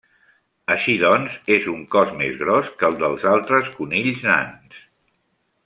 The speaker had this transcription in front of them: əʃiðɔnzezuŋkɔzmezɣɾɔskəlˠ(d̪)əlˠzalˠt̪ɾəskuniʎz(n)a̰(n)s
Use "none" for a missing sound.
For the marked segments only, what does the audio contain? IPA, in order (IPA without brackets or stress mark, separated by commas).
d̪, n, n